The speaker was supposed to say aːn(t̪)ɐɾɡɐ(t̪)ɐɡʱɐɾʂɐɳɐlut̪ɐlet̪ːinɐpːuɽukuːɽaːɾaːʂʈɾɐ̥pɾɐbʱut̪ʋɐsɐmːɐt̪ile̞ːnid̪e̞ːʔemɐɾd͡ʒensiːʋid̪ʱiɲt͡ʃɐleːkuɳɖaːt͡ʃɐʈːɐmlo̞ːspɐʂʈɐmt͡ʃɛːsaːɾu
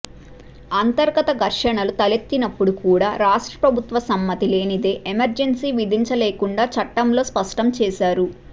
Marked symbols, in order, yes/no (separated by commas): yes, yes